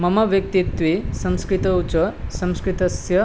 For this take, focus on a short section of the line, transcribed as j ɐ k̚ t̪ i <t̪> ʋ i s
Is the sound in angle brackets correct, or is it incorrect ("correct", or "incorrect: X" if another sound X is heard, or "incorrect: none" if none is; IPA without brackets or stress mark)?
correct